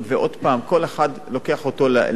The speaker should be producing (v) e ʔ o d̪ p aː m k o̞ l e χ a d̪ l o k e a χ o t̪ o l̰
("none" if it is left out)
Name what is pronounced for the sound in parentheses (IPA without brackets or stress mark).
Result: v